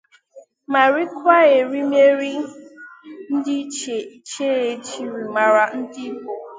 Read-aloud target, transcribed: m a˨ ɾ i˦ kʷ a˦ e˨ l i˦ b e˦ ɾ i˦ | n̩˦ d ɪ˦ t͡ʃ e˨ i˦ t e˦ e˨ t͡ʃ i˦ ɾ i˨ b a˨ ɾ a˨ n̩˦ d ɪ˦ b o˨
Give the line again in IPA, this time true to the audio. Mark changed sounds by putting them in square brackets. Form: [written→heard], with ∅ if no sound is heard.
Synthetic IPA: m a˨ ɾ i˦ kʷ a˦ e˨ [l→ɾ] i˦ [b→m] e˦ ɾ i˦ | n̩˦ d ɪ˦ t͡ʃ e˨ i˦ [t→t͡ʃ] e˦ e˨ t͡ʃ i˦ ɾ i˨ [b→m] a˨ ɾ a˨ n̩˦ d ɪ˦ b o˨